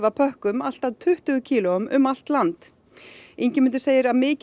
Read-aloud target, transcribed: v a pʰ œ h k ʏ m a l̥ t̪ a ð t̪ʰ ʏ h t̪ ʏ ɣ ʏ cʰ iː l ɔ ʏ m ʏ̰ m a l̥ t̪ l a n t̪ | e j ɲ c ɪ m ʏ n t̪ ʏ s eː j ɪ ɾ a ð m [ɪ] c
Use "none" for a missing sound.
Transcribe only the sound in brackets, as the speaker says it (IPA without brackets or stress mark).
ɪː